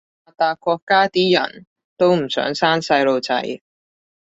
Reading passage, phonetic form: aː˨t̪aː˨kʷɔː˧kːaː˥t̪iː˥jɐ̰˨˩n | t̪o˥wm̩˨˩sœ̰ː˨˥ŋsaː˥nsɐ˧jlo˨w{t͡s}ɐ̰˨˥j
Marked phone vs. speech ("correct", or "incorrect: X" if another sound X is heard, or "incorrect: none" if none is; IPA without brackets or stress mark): correct